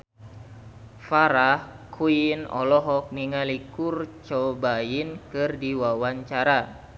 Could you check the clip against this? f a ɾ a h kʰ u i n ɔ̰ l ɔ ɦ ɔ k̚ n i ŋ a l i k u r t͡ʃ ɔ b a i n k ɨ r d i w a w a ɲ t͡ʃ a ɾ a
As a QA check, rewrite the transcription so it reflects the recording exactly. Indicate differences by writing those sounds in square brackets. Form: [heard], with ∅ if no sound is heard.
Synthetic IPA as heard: f a ɾ a h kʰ u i n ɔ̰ l ɔ ɦ ɔ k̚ n i ŋ a l i k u r t͡ʃ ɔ b a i n k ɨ r d i w a w a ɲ t͡ʃ a ɾ a